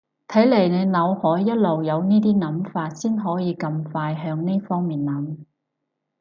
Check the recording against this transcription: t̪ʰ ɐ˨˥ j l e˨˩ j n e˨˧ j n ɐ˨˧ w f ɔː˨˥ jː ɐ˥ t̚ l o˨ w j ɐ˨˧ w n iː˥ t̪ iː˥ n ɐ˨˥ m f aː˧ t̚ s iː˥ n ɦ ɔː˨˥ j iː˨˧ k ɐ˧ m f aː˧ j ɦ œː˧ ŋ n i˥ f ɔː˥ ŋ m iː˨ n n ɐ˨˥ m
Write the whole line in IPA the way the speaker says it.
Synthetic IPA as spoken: t̪ʰ ɐ˨˥ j l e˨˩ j n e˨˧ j n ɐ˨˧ w h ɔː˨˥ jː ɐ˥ t̚ l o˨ w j ɐ˨˧ w n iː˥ t̪ iː˥ n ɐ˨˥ m f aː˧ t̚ s iː˥ n ɦ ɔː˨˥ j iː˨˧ k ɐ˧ m f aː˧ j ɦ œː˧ ŋ n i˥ f ɔː˥ ŋ m iː˨ n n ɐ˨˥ m